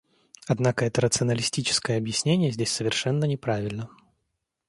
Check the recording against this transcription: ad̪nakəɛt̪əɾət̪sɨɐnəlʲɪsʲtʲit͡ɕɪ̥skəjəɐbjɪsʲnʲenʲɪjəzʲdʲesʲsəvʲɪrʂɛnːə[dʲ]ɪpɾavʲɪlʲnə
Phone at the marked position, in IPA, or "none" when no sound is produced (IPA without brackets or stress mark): nʲ